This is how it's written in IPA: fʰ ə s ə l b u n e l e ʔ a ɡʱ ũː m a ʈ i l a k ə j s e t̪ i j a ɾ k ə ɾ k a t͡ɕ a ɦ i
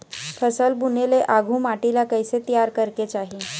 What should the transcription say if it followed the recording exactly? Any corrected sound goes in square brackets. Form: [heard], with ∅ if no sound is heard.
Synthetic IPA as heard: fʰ ə s ə l b u n e l e ʔ a ɡʱ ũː m a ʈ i l a k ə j s e t̪ i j a ɾ k ə ɾ k [e] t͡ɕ a ɦ i

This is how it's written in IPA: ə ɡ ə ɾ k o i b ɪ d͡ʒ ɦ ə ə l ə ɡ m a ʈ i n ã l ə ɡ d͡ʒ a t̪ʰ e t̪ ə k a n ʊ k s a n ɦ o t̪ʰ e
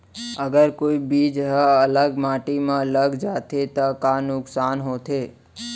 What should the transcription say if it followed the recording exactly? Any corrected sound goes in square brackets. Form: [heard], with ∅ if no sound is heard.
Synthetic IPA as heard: ə ɡ ə ɾ k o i b [i] d͡ʒ ɦ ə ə l ə ɡ m a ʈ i [m] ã l ə ɡ d͡ʒ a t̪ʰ e t̪ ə k a n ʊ k s a n ɦ o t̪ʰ e

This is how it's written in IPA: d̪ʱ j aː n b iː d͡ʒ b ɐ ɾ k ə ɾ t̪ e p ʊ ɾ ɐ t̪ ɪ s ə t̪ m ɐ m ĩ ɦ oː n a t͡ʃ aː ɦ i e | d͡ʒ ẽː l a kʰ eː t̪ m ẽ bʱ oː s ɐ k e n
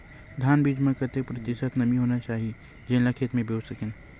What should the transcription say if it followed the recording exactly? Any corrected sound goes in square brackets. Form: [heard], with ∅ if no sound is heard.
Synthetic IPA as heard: d̪ʱ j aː n b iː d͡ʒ [m] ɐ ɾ k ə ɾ t̪ e p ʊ ɾ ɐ t̪ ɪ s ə t̪ [n] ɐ m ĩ ɦ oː n a t͡ʃ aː ɦ i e | d͡ʒ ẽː l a kʰ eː t̪ m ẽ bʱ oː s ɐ k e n

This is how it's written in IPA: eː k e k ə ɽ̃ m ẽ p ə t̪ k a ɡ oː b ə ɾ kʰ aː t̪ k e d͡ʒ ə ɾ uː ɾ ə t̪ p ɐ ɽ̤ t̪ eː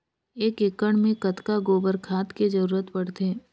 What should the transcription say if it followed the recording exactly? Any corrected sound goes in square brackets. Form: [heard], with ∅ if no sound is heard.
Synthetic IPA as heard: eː k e k ə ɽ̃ m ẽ [k] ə t̪ k a ɡ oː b ə ɾ kʰ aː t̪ k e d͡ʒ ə ɾ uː ɾ ə t̪ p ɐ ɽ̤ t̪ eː

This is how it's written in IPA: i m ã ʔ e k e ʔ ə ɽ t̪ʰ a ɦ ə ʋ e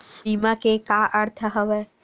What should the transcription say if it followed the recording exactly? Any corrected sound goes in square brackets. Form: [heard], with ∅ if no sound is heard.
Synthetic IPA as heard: i m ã [k] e k [a] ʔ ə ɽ t̪ʰ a ɦ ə ʋ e

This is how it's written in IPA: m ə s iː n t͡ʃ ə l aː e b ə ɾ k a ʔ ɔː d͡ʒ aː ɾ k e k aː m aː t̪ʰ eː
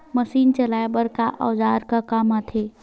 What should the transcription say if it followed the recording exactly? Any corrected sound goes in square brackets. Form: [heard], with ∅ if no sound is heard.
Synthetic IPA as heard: m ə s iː n t͡ʃ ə l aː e b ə ɾ k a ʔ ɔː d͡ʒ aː ɾ k [a] k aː m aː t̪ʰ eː

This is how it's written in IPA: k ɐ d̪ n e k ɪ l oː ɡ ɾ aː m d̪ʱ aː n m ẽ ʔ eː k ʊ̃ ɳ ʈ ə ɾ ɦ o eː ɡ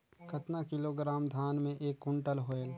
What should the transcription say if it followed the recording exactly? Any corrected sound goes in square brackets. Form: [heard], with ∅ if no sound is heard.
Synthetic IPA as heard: k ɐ [t̪] n [a] k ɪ l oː ɡ ɾ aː m d̪ʱ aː n m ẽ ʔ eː k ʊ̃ ɳ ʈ ə [l] ɦ o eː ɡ

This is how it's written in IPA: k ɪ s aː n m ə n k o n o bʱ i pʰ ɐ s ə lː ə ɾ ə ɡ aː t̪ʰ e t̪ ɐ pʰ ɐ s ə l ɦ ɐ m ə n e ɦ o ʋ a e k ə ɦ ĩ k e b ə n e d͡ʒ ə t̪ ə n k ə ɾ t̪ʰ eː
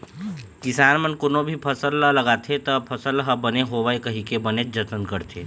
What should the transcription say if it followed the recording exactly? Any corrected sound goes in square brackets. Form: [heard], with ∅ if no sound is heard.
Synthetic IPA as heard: k ɪ s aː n m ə n k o n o bʱ i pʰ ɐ s ə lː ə [l] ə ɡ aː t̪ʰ e t̪ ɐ pʰ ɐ s ə l ɦ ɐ [b] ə n e ɦ o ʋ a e k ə ɦ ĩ k e b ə n e d͡ʒ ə t̪ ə n k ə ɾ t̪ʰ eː

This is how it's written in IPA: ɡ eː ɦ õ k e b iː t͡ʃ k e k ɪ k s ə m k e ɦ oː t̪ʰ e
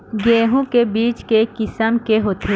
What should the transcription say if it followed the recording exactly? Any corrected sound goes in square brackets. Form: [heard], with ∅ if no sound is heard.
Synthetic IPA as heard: ɡ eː ɦ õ k e b iː t͡ʃ k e k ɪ [∅] s ə m k e ɦ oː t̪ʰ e

